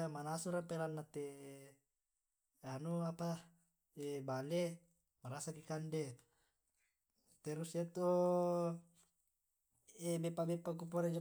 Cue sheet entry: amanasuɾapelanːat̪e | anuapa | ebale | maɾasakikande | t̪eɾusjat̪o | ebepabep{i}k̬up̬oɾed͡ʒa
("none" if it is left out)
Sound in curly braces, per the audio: a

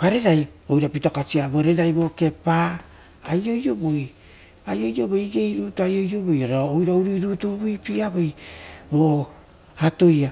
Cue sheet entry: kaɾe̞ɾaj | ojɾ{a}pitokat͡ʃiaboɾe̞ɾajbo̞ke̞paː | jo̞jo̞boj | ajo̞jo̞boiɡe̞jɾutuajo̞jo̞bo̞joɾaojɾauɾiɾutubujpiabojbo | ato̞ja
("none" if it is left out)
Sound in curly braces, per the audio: a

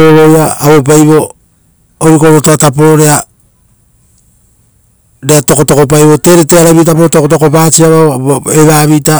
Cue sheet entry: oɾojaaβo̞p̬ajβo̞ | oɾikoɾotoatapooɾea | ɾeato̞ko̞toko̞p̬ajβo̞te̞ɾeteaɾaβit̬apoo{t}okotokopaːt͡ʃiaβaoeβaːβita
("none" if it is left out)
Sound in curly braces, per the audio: t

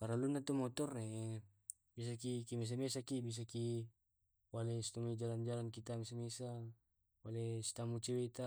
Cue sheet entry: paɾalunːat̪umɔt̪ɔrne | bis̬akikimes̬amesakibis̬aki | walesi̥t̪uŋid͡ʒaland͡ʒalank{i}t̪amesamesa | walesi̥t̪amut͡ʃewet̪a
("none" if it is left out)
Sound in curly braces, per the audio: i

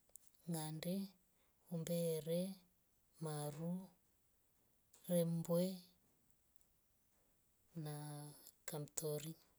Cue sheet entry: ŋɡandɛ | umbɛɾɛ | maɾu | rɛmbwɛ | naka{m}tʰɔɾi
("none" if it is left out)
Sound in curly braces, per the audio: m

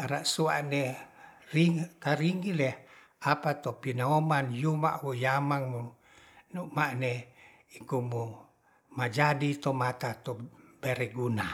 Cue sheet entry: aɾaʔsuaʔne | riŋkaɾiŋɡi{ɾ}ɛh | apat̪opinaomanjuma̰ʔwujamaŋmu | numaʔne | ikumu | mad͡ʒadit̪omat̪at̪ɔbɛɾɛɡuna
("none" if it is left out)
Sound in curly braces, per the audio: l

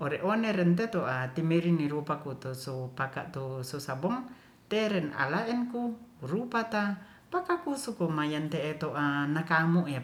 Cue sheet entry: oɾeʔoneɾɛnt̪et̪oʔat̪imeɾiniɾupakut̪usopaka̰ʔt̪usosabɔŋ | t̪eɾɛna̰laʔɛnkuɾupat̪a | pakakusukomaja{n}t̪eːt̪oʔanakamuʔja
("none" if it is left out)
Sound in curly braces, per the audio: n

